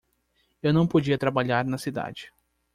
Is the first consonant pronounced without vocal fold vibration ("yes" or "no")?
no